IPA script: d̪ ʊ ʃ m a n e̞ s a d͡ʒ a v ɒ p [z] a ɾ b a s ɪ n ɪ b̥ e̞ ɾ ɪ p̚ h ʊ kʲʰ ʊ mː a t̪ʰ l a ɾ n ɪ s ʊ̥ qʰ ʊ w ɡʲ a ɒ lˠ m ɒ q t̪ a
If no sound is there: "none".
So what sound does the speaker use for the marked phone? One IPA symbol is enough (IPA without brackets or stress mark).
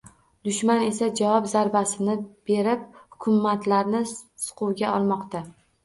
z